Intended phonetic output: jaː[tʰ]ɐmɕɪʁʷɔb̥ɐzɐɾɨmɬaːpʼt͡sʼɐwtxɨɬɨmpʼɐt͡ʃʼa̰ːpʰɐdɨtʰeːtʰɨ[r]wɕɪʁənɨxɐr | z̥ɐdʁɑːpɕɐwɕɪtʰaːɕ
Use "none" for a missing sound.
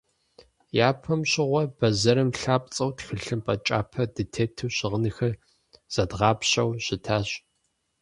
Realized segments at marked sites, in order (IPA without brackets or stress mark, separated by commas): pʰ, none